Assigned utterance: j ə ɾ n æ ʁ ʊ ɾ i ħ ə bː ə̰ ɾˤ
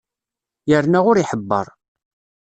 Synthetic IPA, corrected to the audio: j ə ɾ n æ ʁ ʊ ɾ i ħ ə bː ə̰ ɾˤ